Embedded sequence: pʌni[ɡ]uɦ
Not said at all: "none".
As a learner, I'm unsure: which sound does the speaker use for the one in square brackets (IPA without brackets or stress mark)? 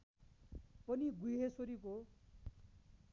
ɡ